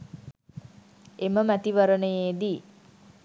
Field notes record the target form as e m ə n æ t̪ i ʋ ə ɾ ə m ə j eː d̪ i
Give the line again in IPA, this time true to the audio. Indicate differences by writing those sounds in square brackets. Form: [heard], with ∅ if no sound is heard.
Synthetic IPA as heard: e m ə [m] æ t̪ i ʋ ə ɾ ə [n] ə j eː d̪ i